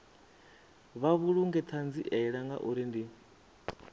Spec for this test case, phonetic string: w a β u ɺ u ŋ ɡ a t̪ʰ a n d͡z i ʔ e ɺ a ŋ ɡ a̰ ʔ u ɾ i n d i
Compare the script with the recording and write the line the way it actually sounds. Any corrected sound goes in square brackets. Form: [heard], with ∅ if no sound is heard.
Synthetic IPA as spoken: [β] a β u ɺ u ŋ ɡ [ɛ] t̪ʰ a n d͡z i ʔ [ɛ] ɺ a ŋ ɡ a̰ ʔ u ɾ i n d i